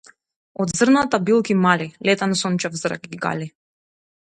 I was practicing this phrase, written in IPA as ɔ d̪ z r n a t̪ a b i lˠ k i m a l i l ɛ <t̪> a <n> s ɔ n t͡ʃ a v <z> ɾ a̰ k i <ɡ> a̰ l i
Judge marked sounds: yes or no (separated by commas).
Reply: yes, yes, yes, yes